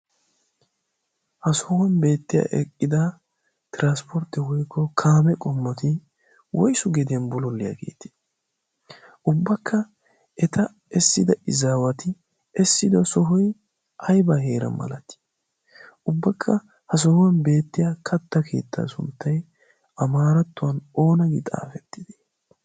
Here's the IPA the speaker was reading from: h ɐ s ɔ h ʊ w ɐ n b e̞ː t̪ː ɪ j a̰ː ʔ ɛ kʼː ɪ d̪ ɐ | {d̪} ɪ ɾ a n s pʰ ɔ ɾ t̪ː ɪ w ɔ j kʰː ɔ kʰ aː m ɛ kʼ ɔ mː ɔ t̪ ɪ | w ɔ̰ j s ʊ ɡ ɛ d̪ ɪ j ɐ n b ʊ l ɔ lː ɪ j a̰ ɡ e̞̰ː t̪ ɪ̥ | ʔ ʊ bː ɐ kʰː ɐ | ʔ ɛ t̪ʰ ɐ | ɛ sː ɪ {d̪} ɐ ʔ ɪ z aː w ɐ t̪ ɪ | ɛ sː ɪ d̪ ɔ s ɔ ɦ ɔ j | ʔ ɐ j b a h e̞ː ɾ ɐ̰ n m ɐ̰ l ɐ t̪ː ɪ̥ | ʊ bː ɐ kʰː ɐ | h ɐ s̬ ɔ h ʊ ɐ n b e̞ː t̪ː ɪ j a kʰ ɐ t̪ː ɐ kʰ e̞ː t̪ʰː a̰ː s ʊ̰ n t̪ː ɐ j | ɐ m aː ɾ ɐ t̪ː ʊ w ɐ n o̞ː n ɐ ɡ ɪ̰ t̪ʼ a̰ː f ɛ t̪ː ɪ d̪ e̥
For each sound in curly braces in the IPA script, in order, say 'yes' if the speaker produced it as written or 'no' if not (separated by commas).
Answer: no, yes